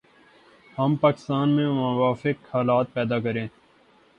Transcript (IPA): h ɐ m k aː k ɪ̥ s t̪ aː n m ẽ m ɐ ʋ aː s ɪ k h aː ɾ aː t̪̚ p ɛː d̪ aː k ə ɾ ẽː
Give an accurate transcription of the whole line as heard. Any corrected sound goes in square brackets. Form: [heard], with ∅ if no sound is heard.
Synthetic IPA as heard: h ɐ m [p] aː k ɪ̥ s t̪ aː n m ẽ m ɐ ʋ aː [f] ɪ k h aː [l] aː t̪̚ p ɛː d̪ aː k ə ɾ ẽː